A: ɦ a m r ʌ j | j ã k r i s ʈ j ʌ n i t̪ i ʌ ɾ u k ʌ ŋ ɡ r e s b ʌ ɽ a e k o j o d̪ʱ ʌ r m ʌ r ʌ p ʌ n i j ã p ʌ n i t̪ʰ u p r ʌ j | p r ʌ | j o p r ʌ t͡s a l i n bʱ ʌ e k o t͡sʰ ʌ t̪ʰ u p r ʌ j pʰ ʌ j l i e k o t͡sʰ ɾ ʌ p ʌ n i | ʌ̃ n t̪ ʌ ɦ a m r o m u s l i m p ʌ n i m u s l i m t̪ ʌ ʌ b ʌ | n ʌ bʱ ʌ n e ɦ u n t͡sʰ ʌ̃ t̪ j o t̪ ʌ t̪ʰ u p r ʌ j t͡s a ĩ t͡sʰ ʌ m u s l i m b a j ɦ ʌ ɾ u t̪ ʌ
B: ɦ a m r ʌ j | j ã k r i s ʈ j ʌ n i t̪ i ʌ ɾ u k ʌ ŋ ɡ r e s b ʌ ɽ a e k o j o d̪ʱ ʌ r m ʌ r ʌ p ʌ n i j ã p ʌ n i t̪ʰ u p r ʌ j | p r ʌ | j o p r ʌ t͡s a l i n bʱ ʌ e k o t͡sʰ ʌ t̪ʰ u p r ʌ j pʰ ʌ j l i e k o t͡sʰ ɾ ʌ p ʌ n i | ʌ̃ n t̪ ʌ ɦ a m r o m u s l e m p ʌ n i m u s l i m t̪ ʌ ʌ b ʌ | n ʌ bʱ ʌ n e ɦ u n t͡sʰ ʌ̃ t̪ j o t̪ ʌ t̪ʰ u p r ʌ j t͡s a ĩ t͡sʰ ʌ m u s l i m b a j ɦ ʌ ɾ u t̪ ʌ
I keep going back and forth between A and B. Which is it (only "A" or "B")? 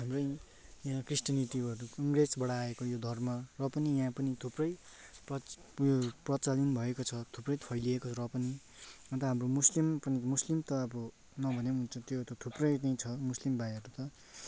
A